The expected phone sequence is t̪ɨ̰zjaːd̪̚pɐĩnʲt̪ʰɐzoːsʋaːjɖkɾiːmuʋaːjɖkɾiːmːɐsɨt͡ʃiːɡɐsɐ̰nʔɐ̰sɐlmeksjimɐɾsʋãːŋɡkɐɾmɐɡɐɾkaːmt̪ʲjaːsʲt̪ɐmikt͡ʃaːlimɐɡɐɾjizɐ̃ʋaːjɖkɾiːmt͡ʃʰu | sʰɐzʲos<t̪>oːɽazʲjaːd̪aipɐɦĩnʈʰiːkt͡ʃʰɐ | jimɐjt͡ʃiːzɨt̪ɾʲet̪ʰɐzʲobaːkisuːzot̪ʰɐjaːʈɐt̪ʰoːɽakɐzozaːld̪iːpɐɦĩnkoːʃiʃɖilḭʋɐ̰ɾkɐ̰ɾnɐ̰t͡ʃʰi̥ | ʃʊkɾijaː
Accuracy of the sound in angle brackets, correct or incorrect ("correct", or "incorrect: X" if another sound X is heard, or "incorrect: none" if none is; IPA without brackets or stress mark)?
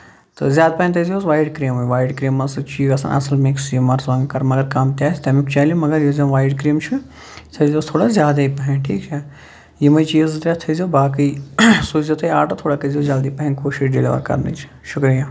incorrect: t̪ʰ